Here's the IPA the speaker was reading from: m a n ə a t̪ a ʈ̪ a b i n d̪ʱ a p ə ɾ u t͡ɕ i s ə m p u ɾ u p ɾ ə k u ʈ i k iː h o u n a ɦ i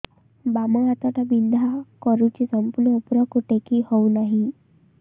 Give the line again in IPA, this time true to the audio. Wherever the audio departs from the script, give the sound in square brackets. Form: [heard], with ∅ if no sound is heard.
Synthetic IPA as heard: [b] a [m] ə a t̪ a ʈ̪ a b i n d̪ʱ a [k] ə ɾ u t͡ɕ i s ə m p u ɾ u p ɾ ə k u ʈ [e] k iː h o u n a ɦ i